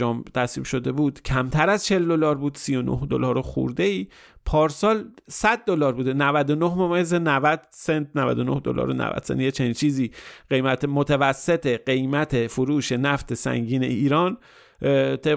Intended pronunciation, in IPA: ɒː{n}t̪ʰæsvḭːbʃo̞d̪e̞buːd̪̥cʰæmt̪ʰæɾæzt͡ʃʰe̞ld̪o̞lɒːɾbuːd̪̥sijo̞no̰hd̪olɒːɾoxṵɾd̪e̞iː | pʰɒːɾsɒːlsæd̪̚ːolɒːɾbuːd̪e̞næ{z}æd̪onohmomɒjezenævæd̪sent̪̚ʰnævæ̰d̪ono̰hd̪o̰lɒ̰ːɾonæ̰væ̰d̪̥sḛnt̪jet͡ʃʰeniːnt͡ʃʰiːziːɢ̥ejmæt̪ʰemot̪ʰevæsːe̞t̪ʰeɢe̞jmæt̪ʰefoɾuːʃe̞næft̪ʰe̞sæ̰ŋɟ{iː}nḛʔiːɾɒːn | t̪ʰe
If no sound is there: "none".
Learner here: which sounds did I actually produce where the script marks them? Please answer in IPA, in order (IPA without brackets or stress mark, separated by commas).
m, v, iː